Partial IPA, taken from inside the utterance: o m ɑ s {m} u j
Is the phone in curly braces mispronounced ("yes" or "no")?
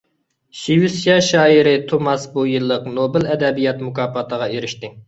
yes